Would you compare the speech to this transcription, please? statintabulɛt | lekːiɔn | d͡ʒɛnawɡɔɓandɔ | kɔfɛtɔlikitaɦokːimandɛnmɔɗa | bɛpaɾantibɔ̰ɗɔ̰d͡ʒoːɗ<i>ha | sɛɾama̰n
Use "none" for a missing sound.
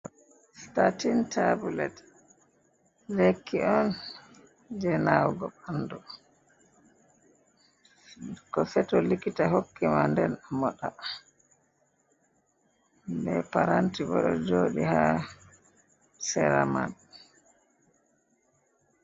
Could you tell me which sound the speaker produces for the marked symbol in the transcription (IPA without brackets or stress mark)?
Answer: i